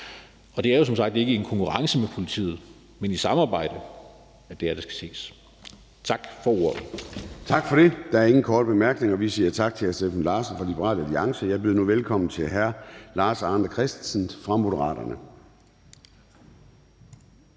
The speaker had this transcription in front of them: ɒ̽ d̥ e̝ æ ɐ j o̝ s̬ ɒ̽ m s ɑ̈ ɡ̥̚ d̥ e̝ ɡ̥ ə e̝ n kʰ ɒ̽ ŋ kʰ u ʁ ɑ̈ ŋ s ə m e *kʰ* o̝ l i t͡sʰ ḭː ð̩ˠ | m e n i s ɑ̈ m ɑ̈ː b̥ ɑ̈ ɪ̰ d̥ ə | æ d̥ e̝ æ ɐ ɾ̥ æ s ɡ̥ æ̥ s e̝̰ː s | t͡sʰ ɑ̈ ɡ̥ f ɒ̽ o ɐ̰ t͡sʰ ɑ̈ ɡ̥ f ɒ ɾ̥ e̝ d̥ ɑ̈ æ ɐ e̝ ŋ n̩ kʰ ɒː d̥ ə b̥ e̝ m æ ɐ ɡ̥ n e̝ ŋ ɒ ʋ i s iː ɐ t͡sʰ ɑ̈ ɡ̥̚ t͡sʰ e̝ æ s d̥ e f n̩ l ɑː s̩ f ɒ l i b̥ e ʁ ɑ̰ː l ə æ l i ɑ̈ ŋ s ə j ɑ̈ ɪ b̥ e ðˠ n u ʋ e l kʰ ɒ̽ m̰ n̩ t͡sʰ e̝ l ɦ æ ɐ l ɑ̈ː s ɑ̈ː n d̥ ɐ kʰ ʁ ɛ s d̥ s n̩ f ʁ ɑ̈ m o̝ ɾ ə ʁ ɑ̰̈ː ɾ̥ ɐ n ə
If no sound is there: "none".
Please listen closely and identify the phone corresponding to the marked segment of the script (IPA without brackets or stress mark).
pʰ